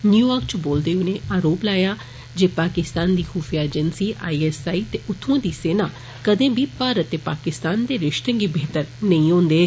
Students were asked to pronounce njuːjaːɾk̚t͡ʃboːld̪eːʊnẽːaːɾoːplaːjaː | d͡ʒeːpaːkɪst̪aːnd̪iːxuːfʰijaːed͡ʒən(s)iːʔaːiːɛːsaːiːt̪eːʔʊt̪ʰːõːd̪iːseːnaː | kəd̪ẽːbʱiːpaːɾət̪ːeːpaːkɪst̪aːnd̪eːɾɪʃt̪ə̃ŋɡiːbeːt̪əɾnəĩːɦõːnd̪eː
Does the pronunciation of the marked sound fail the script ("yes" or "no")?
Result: no